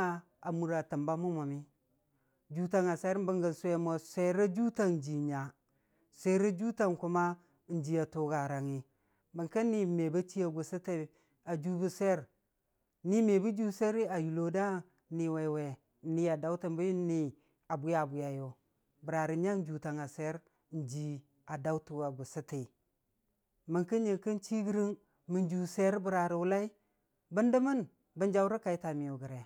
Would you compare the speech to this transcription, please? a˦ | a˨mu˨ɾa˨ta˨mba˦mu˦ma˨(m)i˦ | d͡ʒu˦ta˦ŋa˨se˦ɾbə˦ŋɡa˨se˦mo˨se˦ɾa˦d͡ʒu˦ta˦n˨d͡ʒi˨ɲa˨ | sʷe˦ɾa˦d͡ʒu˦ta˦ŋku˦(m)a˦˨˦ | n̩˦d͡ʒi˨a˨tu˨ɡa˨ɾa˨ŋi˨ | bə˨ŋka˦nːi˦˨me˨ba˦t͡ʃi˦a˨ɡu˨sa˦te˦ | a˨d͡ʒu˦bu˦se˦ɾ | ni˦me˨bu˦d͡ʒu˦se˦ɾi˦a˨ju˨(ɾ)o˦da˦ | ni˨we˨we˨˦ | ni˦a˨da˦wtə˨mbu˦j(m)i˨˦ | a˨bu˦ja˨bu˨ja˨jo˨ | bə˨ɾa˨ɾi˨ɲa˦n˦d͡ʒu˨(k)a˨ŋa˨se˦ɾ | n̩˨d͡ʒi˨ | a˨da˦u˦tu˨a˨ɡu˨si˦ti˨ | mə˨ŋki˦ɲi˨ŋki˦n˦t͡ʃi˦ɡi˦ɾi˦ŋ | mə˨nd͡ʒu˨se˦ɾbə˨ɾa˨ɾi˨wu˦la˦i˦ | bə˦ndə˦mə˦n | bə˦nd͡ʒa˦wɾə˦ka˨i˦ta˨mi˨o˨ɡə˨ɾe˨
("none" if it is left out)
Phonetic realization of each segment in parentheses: m, m, l, n, t

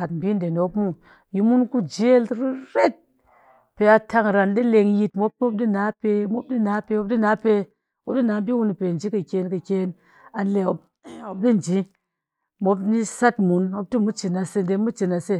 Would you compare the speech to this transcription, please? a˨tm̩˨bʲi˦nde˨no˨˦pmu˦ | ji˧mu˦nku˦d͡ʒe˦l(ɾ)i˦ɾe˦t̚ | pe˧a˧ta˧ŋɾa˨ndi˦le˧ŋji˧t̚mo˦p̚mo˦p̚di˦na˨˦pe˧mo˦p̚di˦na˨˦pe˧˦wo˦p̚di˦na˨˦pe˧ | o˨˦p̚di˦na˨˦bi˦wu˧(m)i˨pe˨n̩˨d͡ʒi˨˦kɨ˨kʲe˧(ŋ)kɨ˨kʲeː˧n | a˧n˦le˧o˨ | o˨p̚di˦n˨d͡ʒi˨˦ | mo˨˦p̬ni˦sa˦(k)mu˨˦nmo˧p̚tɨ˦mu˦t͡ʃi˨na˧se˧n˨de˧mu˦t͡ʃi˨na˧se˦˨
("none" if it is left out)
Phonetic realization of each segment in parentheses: ɾ, n, n, t

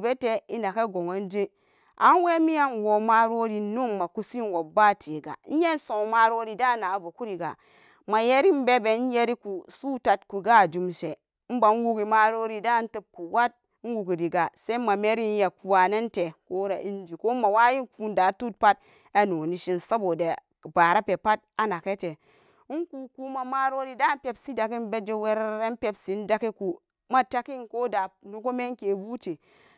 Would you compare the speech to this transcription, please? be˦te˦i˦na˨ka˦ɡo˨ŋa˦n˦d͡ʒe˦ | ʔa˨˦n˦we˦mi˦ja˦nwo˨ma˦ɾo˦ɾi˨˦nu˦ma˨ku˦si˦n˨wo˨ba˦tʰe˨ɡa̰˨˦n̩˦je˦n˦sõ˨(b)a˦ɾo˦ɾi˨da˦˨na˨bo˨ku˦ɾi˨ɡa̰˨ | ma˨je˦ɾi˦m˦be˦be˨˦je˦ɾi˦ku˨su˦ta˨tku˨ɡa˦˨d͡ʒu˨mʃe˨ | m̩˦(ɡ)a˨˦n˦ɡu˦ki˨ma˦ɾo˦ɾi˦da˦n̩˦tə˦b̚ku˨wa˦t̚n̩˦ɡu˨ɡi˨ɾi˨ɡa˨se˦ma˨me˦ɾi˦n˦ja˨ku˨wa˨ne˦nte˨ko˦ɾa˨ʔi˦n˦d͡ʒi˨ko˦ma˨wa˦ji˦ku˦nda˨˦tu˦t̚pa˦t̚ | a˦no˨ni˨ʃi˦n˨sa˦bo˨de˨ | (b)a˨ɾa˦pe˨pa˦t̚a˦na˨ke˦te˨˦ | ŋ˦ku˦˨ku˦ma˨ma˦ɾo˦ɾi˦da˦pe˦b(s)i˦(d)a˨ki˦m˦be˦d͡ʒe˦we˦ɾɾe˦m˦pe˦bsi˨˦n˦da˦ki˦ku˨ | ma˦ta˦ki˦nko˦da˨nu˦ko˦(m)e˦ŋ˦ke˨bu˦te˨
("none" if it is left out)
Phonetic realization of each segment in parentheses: m, b, b, s, d, m

